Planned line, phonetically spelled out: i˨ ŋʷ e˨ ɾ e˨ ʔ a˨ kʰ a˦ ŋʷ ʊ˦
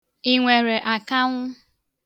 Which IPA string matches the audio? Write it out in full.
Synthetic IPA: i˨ ŋʷ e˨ ɾ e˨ ʔ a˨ k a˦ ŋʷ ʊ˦